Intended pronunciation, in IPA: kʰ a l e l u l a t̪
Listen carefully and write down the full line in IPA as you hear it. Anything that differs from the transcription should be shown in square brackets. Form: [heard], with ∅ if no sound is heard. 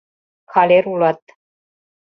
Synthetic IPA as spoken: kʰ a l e [ɾ] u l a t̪